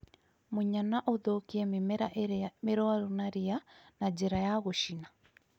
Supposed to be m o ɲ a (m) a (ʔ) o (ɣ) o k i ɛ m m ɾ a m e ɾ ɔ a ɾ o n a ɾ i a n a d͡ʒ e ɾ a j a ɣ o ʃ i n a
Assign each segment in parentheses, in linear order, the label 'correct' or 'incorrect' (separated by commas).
incorrect, correct, incorrect